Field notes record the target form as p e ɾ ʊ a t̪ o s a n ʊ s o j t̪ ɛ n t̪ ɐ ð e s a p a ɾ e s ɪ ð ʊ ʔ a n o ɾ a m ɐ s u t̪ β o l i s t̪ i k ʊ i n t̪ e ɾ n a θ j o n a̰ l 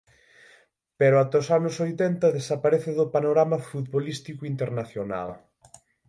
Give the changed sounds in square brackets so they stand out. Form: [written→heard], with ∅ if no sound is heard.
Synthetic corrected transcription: p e ɾ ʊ a t̪ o s a n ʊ s o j t̪ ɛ n t̪ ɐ ð e s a p a ɾ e [s→θ] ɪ ð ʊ [ʔ→p] a n o ɾ a m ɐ [s→f] u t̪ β o l i s t̪ i k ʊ i n t̪ e ɾ n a θ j o n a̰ l